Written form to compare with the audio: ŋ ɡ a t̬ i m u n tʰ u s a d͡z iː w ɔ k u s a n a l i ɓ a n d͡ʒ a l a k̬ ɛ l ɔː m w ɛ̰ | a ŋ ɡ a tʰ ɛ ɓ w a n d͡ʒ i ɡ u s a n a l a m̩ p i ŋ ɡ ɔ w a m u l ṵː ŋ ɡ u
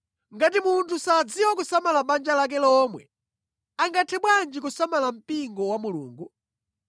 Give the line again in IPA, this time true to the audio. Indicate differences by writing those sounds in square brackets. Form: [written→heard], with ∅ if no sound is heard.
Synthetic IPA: ŋ ɡ a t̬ i m u n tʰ u s a d͡z [iː→i] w ɔ k u s a [n→m] a l [i→a] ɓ a n d͡ʒ a l a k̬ ɛ l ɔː m w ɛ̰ | a ŋ ɡ a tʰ ɛ ɓ w a n d͡ʒ i [ɡ→k] u s a [n→m] a l a m̩ p i ŋ ɡ ɔ w a m u l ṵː ŋ ɡ u